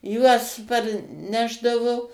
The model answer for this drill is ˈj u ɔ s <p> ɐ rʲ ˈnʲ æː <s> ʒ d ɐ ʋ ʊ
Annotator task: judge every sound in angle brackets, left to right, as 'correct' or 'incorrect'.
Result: correct, incorrect: none

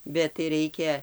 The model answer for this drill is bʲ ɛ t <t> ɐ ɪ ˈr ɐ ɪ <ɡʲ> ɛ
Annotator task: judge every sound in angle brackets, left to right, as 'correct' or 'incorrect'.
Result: correct, incorrect: kʲ

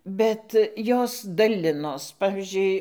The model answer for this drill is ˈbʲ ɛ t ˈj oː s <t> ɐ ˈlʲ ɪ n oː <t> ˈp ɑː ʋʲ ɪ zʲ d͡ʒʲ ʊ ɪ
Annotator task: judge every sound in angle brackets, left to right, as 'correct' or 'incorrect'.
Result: incorrect: d, incorrect: s

